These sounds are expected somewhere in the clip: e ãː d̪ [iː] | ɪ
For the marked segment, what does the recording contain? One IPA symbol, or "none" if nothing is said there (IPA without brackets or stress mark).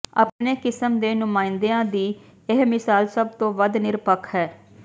iː